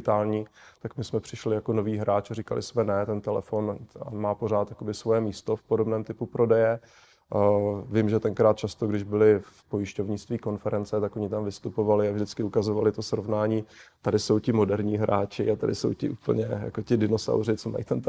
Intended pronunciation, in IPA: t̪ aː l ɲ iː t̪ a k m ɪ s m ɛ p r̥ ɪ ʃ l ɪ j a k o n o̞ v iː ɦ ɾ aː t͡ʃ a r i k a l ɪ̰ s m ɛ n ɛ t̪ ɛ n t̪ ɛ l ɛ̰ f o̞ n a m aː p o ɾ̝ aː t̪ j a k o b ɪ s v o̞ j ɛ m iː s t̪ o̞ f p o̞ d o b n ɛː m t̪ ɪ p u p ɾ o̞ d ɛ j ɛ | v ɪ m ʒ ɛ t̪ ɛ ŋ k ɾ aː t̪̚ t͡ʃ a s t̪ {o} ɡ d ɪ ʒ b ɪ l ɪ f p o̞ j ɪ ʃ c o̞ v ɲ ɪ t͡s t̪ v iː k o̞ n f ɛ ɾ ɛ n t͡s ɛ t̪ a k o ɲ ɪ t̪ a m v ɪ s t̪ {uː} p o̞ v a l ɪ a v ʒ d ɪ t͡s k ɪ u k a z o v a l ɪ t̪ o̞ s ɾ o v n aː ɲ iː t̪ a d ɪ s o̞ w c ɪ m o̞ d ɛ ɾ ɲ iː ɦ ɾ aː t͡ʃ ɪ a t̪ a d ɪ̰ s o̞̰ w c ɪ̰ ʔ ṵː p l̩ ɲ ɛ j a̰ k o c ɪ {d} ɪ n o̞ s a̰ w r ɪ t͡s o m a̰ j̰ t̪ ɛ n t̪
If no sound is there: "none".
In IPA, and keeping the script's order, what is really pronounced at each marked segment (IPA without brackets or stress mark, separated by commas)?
o, u, d